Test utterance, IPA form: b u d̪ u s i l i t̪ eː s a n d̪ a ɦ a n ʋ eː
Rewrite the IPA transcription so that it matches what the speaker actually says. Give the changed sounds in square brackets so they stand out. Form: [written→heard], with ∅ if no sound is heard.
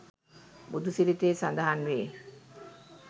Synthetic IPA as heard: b u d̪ u s i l i t̪ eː s a n d̪ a ɦ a n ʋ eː